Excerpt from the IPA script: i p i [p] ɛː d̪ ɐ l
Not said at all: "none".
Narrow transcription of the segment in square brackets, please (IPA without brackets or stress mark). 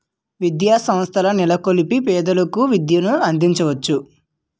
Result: p